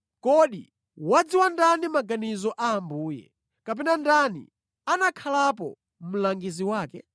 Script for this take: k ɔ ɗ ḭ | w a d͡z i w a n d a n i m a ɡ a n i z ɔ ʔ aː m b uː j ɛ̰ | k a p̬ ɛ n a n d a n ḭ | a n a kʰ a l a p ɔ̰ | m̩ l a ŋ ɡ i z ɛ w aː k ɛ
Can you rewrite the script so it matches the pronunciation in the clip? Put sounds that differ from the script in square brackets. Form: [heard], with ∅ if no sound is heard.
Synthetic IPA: k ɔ ɗ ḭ | w a d͡z i w a n d a n i m a ɡ a n i z ɔ ʔ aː m b uː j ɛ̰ | k a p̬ ɛ n a n d a n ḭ | a n a kʰ a l a p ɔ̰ | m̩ l a ŋ ɡ i z [i] w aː k ɛ